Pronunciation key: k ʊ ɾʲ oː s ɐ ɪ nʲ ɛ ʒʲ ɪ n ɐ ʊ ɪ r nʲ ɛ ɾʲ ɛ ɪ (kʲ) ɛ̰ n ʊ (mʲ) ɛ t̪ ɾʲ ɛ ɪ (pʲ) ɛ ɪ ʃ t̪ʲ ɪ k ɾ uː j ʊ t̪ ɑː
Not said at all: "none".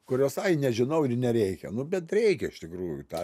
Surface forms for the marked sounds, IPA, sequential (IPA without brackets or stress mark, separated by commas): kʲ, bʲ, kʲ